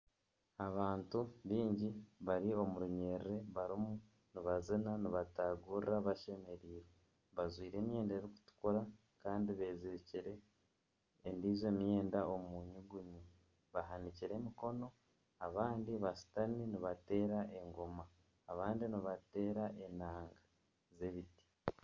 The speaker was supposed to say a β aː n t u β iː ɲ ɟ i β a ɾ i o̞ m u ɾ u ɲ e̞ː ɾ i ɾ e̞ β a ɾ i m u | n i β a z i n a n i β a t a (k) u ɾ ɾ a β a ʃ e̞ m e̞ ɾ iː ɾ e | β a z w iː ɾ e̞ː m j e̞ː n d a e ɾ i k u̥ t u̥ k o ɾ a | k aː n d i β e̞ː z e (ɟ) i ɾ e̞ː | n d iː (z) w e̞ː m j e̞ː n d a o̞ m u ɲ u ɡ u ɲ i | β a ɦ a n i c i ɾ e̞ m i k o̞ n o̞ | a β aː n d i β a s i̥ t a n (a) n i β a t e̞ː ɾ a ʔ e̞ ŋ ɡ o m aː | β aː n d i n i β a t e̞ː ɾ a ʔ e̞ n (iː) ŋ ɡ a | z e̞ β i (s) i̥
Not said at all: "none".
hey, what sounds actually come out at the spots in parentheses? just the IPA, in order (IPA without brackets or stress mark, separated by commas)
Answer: ɡ, c, z, i, aː, t